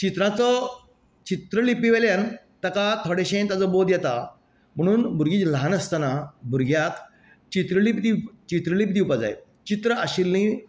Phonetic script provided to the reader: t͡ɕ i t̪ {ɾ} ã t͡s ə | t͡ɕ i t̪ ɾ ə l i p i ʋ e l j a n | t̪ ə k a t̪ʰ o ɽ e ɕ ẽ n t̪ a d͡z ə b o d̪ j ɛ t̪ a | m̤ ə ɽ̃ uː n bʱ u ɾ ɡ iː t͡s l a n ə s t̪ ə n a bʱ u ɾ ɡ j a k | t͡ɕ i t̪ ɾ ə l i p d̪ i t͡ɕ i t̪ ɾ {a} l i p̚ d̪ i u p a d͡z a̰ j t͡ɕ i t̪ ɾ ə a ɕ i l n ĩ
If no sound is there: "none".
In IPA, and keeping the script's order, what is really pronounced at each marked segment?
ɾ, ə

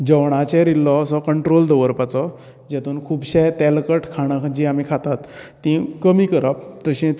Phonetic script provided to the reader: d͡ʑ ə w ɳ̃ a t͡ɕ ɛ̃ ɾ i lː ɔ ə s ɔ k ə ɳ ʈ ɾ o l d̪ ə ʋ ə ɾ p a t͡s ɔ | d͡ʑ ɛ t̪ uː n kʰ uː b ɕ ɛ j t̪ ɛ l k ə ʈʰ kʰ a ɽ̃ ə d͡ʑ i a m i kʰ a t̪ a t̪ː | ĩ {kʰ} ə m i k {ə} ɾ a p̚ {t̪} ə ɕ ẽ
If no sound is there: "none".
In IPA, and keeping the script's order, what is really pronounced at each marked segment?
k, ə, t̪

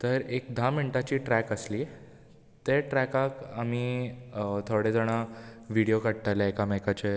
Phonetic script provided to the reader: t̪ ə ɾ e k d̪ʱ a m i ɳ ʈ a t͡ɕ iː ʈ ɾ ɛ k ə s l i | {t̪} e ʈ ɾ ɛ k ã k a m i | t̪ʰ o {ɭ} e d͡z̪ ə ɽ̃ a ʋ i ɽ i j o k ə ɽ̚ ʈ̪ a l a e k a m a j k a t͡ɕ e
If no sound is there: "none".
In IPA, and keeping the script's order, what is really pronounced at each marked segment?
t̪, ɽ

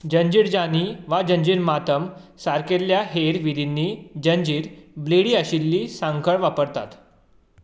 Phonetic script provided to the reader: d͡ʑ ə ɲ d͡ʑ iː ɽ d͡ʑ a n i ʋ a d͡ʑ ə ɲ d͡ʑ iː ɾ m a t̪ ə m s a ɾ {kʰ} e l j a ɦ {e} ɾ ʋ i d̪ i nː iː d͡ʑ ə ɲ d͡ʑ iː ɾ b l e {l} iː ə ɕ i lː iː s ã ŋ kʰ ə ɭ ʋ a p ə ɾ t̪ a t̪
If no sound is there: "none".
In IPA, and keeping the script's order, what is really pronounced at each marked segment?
k, e, ɽ

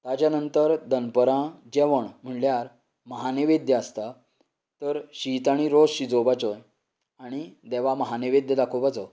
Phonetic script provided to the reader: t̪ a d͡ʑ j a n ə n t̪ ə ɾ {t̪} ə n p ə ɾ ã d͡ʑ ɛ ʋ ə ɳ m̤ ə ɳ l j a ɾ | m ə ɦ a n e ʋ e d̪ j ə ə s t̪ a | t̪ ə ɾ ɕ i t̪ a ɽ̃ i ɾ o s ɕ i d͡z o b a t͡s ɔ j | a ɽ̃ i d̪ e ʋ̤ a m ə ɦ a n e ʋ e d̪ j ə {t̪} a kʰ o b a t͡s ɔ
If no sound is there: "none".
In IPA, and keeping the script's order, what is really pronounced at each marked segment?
d̪, d̪

